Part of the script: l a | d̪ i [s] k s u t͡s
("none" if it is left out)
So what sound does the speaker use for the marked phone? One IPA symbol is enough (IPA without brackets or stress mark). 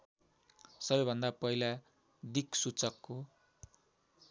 none